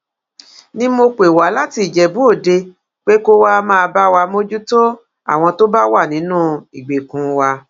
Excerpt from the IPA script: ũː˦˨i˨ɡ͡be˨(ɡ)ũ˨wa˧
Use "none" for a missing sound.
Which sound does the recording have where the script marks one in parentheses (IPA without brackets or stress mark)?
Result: k